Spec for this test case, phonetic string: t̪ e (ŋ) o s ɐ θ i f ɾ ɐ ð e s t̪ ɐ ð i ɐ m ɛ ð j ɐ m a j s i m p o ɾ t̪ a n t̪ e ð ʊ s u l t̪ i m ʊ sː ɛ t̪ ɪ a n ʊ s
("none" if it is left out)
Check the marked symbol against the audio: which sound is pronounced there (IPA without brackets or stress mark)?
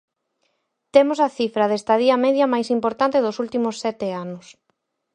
m